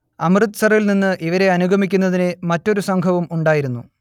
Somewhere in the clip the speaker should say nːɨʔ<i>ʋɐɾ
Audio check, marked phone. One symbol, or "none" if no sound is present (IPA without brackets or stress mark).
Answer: i